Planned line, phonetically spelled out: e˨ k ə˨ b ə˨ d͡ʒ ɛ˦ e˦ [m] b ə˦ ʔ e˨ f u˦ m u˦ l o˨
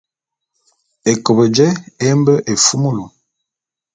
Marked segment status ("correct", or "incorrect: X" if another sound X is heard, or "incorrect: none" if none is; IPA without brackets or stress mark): correct